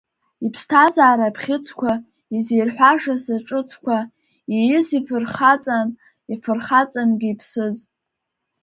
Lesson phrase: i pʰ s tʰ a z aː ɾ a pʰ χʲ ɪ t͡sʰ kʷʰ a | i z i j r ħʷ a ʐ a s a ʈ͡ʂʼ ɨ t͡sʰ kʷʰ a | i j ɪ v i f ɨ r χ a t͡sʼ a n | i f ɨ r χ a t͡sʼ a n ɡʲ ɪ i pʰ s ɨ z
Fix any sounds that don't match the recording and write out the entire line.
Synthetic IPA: i pʰ s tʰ a z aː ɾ a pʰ χʲ ɪ t͡sʰ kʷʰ a | i z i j r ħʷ a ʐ a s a ʈ͡ʂʼ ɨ t͡sʰ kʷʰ a | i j ɪ z i f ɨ r χ a t͡sʼ a n | i f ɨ r χ a t͡sʼ a n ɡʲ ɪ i pʰ s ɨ z